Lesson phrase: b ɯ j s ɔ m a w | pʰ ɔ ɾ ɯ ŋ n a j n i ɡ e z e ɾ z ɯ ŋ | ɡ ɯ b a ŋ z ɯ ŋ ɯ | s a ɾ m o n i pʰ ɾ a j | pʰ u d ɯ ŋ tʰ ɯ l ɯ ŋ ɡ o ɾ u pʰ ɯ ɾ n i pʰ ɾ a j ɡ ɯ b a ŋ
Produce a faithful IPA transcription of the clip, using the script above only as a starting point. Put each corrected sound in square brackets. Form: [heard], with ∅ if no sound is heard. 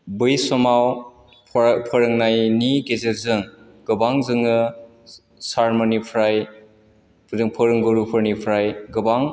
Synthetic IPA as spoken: b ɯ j s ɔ m a w | pʰ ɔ ɾ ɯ ŋ n a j n i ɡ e z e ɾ z ɯ ŋ | ɡ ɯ b a ŋ z ɯ ŋ ɯ | s a ɾ m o n i pʰ ɾ a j | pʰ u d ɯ ŋ [pʰ] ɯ [ɾ] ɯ ŋ ɡ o ɾ u pʰ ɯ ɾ n i pʰ ɾ a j ɡ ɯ b a ŋ